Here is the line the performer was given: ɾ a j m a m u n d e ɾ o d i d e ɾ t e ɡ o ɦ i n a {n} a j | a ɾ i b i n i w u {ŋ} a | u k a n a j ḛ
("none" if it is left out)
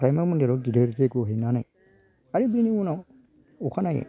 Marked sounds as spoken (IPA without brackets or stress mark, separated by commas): n, n